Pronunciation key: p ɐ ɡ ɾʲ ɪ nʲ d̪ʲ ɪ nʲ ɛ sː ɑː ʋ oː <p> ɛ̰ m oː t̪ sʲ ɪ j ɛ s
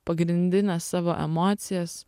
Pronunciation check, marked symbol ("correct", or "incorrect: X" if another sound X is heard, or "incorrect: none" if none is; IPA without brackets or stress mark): incorrect: ʔ